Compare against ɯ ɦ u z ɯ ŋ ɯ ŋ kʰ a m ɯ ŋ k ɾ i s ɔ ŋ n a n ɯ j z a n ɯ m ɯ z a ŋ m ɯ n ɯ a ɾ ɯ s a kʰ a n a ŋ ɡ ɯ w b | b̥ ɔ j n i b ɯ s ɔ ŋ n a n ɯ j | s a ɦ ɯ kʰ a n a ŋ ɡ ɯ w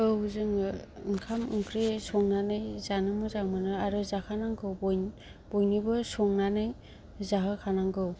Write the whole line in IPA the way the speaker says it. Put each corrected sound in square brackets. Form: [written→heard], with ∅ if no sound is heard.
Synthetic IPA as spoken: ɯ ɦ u z ɯ ŋ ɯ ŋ kʰ a m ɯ ŋ k ɾ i s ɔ ŋ n a n ɯ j z a n ɯ m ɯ z a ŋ m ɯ n ɯ a ɾ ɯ [s→z] a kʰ a n a ŋ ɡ ɯ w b | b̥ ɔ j n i b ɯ s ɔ ŋ n a n ɯ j | [s→z] a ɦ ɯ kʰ a n a ŋ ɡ ɯ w